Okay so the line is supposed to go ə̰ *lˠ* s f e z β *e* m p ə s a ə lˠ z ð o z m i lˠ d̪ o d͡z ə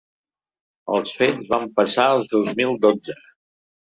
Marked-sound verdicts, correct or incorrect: correct, incorrect: a

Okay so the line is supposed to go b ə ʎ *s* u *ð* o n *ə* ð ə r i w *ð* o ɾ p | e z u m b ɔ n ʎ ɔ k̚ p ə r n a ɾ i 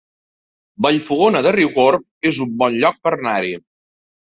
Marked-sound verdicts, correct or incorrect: incorrect: f, incorrect: ɣ, correct, incorrect: ɣ

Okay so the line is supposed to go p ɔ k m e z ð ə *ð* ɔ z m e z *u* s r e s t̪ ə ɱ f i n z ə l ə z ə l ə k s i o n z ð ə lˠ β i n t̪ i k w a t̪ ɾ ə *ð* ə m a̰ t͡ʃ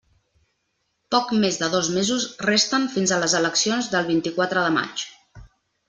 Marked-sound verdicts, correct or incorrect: correct, correct, correct

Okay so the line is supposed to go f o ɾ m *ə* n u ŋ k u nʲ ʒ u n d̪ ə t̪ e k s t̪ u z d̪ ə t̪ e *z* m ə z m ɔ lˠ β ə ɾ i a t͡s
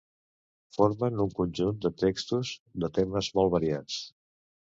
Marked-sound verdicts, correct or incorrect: correct, incorrect: none

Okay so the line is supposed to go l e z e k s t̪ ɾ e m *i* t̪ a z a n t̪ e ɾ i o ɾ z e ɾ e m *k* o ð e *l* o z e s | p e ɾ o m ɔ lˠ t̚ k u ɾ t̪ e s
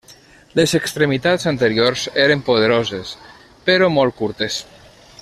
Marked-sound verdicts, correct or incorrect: correct, incorrect: p, incorrect: ɾ

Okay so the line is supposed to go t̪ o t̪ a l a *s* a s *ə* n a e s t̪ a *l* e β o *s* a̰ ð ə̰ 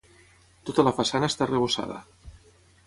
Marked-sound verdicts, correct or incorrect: incorrect: f, incorrect: a, incorrect: r, correct

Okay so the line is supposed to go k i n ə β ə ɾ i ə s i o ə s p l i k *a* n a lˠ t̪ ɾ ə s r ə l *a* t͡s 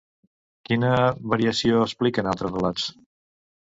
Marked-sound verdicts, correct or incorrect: incorrect: ə, correct

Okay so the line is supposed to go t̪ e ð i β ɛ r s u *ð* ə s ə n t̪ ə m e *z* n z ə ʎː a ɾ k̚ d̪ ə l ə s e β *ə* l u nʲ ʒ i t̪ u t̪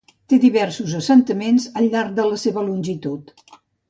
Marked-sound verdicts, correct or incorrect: incorrect: z, incorrect: none, correct

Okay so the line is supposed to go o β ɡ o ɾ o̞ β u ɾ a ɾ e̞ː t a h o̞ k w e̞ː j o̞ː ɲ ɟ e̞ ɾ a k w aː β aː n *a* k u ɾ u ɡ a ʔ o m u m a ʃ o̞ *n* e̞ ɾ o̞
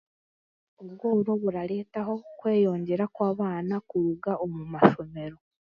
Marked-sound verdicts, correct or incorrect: correct, incorrect: m

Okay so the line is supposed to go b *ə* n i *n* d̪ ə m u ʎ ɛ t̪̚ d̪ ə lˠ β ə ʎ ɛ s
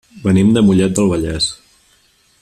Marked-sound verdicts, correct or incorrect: correct, incorrect: m

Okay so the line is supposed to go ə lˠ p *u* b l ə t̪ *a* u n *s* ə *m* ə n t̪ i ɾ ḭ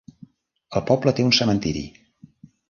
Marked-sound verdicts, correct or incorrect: incorrect: ɔ, incorrect: e, correct, correct

